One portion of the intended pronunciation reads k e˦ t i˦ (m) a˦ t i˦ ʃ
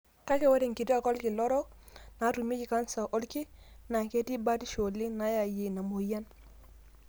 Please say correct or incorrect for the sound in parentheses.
incorrect